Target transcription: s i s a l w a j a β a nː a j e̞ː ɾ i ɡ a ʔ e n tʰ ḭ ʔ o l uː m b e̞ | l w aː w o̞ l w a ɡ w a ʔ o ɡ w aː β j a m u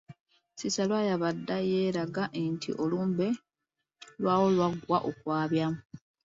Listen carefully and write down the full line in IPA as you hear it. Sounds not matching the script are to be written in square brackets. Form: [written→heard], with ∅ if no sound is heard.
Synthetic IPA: s i s a l w a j a β a [nː→dː] a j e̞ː ɾ [i→a] ɡ a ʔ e n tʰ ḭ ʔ o l uː m b e̞ | l w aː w o̞ l w a ɡ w a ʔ o [ɡ→k] w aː β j a m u